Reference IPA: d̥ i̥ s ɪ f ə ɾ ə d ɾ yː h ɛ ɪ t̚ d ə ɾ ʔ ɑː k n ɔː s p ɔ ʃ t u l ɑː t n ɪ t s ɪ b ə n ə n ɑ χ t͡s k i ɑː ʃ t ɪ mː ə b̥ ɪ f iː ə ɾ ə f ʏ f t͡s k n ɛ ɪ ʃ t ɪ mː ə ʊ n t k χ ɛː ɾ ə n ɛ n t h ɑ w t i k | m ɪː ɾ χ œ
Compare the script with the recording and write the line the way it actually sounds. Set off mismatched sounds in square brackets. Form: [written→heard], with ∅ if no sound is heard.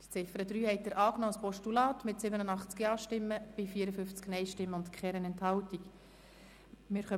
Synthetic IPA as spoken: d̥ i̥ [s→t͡s] ɪ f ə ɾ ə d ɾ yː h ɛ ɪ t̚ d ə ɾ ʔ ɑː k n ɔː s p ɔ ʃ t u l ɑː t [n→m] ɪ t s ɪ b ə n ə n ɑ χ t͡s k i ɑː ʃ t ɪ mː ə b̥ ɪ f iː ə ɾ ə f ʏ f t͡s k n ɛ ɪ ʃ t ɪ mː ə ʊ n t k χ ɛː ɾ ə n ɛ n t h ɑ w t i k | m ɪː ɾ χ œ